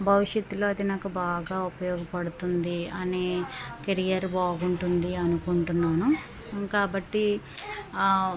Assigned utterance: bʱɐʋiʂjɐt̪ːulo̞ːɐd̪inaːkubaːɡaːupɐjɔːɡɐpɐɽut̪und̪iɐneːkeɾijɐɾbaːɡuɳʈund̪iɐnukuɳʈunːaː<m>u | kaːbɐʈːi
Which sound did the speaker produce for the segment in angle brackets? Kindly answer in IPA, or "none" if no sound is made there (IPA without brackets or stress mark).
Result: n